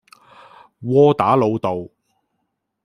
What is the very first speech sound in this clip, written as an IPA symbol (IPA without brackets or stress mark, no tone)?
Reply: w